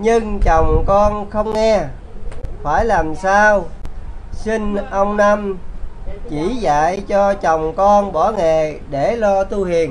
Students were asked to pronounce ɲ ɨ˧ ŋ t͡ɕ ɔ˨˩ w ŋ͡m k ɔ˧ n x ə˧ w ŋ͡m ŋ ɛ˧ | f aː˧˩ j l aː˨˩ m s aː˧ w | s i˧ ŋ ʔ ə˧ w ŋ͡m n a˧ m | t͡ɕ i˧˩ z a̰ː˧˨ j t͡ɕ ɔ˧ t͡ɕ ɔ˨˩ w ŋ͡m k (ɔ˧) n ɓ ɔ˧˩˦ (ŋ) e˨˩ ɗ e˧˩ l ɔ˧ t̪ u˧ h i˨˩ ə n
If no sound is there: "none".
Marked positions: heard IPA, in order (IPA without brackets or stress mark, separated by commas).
ɔ˧, ŋ